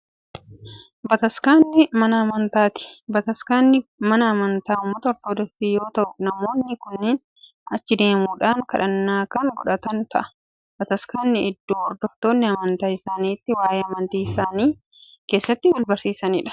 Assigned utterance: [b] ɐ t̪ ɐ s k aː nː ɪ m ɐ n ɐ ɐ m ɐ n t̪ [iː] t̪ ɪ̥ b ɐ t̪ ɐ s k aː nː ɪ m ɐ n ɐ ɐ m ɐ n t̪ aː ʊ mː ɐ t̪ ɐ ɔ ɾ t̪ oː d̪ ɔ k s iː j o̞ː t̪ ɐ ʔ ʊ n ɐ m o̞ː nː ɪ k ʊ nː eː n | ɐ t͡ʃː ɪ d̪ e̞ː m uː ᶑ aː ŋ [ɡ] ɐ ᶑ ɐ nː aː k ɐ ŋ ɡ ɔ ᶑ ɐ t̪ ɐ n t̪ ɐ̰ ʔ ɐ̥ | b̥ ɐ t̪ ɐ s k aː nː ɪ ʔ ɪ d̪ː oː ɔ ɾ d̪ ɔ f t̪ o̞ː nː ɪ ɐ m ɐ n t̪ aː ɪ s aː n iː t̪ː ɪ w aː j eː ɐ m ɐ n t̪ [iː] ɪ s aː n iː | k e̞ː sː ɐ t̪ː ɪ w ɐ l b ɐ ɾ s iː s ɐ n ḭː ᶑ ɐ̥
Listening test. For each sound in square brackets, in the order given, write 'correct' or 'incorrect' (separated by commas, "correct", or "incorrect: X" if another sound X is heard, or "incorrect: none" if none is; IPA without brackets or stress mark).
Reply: correct, incorrect: aː, incorrect: k, correct